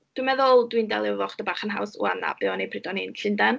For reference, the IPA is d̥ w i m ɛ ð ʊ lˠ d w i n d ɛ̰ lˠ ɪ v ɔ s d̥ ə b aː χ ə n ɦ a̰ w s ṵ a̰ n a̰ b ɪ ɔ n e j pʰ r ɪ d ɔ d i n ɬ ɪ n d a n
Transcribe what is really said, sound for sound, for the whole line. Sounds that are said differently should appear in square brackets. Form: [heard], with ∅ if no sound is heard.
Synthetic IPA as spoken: d̥ w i m ɛ ð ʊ lˠ d w i n d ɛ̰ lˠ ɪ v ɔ [χ] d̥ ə b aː χ ə n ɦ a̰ w s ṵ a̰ n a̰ b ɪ ɔ n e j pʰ r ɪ d ɔ [n] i n ɬ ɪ n d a n